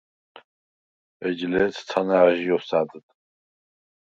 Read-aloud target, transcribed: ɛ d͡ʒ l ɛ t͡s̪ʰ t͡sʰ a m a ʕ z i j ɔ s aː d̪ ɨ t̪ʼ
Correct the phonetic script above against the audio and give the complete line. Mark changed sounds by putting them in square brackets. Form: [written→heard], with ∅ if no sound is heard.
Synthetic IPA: ɛ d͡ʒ l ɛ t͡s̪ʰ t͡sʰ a [m→n] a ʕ [z→ʒ] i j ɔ s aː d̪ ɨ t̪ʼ